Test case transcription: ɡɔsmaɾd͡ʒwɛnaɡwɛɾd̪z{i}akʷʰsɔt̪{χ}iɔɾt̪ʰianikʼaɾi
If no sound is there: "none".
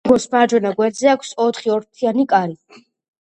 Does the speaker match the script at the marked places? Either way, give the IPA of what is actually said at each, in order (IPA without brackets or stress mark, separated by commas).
ɛ, χ